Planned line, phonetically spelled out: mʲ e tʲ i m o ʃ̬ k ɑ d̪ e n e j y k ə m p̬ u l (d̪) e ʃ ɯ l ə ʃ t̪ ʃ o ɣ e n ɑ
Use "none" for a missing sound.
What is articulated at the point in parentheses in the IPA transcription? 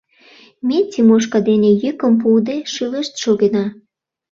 d̪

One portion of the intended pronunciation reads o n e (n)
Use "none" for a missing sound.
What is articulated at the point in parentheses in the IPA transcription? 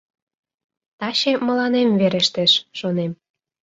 m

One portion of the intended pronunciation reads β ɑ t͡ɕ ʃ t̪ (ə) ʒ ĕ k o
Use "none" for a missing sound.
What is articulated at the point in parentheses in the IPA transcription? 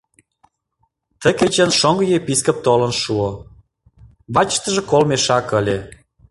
ə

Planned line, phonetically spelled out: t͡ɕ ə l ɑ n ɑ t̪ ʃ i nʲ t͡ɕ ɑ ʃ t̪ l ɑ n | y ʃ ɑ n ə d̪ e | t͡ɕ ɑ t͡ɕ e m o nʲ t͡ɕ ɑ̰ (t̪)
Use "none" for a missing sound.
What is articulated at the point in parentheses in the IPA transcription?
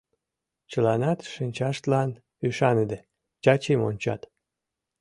t̪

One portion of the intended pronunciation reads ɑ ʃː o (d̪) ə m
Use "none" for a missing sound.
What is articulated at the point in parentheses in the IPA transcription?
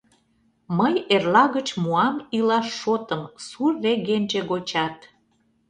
t̪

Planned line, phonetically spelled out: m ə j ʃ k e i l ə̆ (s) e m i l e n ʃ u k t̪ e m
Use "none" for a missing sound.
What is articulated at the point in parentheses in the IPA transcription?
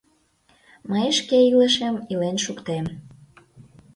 ʃ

